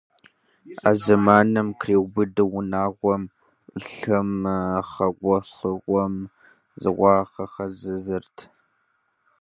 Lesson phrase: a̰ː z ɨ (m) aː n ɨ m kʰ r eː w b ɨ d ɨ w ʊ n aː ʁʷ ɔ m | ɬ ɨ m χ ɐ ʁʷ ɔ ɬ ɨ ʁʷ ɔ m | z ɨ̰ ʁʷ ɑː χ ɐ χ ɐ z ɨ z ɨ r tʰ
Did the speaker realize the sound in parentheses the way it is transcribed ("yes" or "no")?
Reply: yes